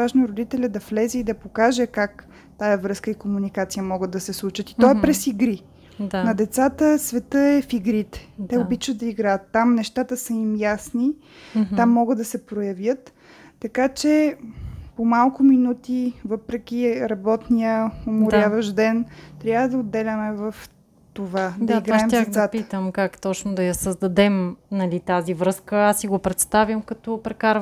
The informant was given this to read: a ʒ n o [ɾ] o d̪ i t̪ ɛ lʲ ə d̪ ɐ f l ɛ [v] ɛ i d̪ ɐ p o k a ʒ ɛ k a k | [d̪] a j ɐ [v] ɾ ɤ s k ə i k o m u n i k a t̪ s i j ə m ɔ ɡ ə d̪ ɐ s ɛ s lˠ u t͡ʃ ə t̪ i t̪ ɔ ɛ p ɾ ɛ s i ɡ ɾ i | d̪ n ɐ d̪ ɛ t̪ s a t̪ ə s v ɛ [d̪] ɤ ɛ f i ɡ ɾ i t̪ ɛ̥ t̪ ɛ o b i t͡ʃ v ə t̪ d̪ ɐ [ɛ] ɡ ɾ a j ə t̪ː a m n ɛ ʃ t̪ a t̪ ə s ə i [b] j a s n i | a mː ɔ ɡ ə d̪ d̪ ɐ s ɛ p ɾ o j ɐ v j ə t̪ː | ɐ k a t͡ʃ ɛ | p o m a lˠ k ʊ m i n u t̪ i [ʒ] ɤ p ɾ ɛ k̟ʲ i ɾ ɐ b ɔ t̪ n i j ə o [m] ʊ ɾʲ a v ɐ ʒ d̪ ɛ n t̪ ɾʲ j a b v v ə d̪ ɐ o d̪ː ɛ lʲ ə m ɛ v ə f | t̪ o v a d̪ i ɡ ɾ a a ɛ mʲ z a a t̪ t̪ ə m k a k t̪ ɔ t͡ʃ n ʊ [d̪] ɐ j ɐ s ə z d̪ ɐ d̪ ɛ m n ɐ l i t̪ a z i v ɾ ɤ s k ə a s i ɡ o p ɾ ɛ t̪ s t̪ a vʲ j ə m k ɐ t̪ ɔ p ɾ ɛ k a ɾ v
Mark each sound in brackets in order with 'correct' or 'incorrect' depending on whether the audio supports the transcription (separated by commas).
correct, incorrect, incorrect, correct, incorrect, incorrect, incorrect, incorrect, correct, correct